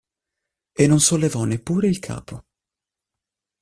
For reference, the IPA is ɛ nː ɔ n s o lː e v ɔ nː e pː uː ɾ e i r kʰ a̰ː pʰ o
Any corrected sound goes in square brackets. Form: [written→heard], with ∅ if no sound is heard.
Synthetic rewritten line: [ɛ→e] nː [ɔ→o] n s o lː e v ɔ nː e pː uː ɾ e i [r→l] kʰ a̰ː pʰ o